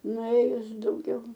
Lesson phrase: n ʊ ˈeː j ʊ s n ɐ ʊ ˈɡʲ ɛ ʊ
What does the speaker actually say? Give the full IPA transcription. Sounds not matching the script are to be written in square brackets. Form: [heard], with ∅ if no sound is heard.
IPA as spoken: n ʊ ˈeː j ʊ s [d] ɐ ʊ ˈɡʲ ɛ ʊ